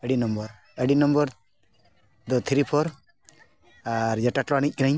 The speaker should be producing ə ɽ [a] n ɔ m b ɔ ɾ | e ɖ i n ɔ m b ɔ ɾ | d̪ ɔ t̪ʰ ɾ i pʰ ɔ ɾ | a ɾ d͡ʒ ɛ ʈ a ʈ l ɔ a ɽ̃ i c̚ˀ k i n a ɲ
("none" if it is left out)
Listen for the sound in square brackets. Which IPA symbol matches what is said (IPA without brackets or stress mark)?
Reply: i